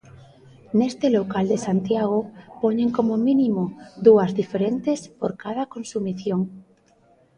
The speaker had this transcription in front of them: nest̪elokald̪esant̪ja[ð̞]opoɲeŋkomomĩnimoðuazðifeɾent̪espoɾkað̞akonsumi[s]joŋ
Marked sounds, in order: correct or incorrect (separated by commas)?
incorrect, incorrect